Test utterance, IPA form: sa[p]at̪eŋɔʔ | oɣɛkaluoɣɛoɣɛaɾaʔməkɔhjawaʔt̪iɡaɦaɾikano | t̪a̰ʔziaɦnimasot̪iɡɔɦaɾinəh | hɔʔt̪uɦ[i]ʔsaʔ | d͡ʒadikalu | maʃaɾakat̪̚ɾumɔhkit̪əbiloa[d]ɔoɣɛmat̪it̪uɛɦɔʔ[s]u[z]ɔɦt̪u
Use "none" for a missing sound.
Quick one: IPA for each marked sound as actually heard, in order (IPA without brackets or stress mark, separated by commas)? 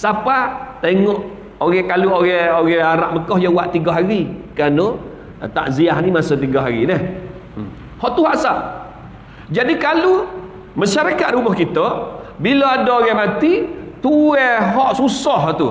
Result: p, a, d, s, s